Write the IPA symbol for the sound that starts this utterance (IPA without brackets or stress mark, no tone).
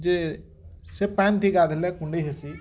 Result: d͡ʒ